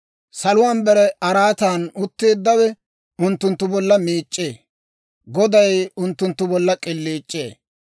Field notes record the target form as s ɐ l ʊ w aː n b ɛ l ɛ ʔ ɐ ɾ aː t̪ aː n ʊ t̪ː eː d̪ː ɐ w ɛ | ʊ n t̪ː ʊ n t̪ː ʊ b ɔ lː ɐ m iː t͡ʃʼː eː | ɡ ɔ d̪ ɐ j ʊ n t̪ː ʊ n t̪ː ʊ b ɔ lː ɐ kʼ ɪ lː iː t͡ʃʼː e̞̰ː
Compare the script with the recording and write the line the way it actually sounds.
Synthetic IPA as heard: s ɐ l ʊ w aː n b ɛ ɾ ɛ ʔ ɐ ɾ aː t̪ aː n ʊ t̪ː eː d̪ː ɐ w ɛ | ʊ n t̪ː ʊ n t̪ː ʊ b ɔ lː ɐ m iː t͡ʃʼː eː | ɡ ɔ d̪ ɐ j ʊ n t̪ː ʊ n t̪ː ʊ b ɔ lː ɐ kʼ ɪ lː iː t͡ʃʼː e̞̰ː